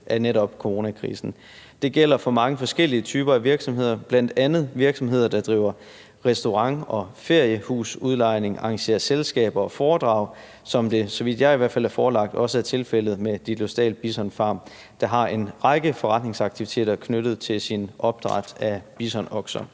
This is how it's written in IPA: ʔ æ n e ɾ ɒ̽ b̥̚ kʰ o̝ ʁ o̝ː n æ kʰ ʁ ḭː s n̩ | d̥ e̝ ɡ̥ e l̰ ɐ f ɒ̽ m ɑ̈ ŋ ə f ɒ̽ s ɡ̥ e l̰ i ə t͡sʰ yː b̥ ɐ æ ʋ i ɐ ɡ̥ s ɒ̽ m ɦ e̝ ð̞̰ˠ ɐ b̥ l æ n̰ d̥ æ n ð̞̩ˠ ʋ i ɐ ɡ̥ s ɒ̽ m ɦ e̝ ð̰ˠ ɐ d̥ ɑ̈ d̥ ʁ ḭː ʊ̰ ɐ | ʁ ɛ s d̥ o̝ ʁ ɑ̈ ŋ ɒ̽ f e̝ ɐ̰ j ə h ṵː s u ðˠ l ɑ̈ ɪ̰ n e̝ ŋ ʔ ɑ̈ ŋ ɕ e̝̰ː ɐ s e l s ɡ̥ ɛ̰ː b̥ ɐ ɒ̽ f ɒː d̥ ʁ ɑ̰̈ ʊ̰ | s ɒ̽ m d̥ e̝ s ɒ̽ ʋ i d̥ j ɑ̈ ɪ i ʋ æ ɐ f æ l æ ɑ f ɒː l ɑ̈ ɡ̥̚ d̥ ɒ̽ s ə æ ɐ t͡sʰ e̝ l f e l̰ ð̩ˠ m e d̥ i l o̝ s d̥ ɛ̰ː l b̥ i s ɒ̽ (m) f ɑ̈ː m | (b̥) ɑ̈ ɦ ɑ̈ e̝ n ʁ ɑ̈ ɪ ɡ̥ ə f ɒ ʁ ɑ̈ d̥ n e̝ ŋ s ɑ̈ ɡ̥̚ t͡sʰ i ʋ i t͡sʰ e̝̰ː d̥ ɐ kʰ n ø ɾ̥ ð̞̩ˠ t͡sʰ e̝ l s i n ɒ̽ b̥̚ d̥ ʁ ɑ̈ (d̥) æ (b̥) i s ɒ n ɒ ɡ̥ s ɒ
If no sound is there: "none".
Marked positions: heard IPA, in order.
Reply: n, d̥, d̥, b̥

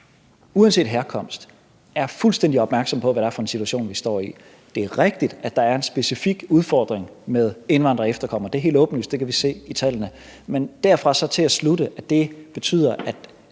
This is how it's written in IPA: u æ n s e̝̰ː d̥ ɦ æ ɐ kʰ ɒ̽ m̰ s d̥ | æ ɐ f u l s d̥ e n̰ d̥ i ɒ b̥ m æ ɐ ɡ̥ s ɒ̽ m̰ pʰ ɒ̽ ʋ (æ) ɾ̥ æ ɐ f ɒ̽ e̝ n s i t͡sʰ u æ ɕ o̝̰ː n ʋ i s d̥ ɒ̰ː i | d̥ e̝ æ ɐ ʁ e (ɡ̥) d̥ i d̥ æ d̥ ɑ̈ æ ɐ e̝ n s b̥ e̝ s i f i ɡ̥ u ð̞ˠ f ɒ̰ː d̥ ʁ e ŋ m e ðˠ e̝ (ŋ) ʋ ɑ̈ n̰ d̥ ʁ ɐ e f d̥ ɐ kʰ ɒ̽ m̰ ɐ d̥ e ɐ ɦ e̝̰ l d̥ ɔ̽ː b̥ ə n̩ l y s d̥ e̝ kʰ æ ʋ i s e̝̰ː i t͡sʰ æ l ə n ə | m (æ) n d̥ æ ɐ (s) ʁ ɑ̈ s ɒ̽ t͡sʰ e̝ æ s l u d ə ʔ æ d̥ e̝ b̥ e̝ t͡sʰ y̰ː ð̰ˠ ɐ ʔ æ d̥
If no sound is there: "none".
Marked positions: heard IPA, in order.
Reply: æ, ɡ̥, n, e, f

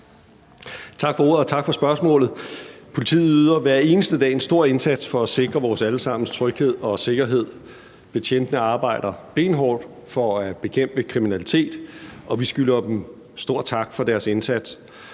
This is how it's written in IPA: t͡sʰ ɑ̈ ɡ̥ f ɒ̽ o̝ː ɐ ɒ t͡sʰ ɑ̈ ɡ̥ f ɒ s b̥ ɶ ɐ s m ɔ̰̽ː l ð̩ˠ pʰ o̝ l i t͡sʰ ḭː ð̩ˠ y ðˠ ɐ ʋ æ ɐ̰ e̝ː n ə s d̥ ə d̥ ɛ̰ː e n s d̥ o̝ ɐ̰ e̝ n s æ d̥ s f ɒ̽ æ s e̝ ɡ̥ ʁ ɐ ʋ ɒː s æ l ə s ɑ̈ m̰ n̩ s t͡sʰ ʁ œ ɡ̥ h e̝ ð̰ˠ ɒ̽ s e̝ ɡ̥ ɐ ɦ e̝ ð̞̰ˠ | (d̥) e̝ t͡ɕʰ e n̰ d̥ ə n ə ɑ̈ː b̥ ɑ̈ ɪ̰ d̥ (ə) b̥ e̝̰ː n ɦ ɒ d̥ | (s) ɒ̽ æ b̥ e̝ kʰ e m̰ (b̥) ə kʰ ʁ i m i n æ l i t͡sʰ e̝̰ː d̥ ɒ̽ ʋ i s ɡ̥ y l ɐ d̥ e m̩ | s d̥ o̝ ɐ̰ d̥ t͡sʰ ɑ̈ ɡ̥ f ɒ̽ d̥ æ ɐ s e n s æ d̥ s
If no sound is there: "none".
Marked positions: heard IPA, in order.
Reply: b̥, ɐ, f, b̥

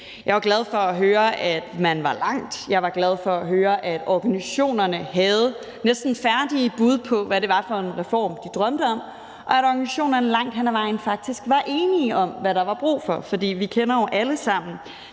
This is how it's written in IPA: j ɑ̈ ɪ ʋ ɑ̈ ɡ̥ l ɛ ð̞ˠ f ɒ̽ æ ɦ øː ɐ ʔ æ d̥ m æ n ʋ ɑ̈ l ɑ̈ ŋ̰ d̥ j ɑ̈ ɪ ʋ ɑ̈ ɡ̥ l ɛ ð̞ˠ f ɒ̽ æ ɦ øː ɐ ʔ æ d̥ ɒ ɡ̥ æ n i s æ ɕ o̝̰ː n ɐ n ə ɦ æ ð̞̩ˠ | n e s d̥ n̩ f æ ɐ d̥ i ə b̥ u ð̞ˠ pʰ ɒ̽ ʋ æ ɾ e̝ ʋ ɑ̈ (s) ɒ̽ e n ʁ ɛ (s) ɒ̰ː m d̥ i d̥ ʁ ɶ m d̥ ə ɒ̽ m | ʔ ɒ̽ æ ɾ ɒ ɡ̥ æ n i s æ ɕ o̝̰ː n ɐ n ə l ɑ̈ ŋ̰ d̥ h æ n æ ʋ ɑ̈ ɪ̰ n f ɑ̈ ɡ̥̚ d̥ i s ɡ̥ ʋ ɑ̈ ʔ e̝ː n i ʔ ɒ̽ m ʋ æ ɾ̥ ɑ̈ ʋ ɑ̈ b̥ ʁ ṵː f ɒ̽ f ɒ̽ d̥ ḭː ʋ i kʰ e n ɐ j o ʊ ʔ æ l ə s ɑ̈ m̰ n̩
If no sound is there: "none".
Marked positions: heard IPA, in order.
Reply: f, f

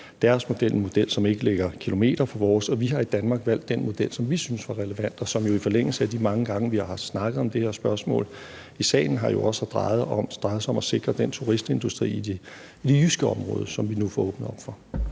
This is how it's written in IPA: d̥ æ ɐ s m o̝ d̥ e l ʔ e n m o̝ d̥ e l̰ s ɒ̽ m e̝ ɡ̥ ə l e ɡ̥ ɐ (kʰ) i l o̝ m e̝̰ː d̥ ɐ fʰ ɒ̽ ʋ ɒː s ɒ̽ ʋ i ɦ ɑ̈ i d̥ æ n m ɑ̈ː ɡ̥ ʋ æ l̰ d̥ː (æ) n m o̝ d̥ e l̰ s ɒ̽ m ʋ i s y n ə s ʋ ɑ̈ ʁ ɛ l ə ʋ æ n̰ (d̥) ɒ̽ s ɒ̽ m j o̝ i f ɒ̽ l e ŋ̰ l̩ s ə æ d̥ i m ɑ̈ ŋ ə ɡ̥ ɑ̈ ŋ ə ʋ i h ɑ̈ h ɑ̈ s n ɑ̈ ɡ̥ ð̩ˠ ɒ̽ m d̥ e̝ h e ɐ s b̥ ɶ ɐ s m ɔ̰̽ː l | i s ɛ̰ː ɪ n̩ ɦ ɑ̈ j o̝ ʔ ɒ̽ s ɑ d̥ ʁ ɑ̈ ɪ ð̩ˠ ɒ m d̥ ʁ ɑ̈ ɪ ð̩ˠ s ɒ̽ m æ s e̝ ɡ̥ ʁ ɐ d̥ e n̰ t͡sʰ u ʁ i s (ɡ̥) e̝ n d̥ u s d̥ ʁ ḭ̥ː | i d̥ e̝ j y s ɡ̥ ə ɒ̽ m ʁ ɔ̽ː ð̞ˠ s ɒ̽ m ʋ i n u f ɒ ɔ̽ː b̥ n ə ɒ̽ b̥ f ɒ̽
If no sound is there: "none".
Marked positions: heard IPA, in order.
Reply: kʰ, e, d̥, d̥

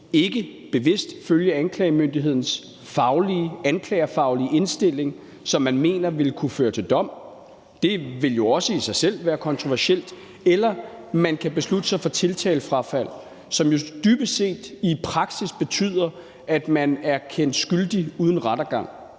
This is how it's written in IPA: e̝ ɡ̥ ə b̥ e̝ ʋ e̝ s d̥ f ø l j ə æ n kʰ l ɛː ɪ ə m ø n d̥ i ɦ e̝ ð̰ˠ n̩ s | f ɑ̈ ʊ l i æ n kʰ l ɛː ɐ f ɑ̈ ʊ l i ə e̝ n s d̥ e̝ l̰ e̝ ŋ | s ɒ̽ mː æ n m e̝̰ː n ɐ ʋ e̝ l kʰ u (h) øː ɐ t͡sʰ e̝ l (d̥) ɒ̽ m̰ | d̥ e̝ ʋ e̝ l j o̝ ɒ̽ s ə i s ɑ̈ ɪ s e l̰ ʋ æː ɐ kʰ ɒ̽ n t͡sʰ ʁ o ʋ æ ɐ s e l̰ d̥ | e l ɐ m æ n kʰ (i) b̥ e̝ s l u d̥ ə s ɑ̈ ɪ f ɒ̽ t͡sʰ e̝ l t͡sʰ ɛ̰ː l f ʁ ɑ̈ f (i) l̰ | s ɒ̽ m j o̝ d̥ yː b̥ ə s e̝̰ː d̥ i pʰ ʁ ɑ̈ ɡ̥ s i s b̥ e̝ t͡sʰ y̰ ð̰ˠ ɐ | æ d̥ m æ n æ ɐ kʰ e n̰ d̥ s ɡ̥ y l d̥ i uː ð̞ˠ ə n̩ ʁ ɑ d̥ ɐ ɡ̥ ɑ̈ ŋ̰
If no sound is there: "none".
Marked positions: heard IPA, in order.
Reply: f, d̥, æ, æ

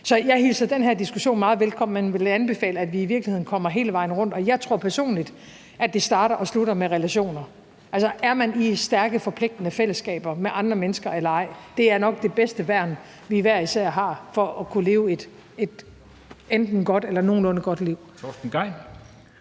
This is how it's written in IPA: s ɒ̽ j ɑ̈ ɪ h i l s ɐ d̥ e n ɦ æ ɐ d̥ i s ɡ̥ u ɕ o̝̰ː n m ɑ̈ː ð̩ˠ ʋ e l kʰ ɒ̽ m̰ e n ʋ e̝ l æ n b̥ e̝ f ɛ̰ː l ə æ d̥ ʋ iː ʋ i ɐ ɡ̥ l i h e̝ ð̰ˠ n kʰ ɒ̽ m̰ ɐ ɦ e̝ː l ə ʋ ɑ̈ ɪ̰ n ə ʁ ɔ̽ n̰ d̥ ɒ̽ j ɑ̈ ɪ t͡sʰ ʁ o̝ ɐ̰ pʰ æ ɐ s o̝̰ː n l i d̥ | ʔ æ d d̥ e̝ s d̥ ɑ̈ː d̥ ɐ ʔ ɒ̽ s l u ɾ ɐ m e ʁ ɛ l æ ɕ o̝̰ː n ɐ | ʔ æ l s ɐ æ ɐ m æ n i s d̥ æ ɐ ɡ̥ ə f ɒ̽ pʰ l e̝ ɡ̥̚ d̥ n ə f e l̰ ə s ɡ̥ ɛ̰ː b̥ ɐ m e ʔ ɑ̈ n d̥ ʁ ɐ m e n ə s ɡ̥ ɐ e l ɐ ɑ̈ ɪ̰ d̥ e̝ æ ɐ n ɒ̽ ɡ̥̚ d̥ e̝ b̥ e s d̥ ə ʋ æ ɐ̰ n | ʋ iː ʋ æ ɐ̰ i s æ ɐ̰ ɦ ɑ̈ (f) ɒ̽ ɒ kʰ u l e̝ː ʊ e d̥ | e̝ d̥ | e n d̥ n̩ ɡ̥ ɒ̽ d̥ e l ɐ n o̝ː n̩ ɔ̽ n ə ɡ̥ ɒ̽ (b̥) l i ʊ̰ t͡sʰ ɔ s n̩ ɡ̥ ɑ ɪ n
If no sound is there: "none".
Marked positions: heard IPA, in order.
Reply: f, d̥

